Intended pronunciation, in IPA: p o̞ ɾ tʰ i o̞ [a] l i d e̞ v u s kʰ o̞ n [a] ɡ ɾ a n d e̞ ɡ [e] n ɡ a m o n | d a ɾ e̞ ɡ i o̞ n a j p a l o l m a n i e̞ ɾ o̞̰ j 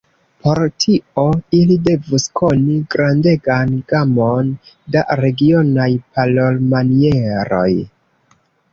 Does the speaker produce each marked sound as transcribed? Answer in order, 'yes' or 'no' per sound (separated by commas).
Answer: no, no, no